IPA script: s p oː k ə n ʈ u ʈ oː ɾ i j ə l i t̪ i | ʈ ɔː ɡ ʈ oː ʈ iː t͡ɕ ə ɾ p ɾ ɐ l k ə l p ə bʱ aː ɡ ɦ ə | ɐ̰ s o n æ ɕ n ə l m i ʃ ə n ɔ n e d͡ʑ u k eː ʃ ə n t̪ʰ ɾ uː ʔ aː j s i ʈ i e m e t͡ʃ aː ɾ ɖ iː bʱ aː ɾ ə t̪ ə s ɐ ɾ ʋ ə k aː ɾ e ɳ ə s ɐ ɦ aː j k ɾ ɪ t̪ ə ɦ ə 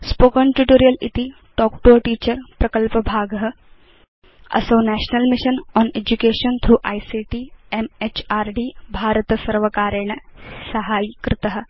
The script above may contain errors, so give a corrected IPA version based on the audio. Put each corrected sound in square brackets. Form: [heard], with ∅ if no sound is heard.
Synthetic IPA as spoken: s p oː k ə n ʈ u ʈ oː ɾ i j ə l i t̪ i | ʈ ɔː [k] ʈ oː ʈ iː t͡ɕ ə ɾ p ɾ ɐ [∅] k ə l p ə bʱ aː ɡ ɦ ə | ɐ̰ s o n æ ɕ n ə l m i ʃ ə n ɔ n e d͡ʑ u k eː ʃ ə n t̪ʰ ɾ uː ʔ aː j s i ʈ i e m e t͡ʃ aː ɾ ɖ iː bʱ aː ɾ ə t̪ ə s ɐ ɾ ʋ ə k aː ɾ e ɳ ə s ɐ ɦ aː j k ɾ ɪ t̪ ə ɦ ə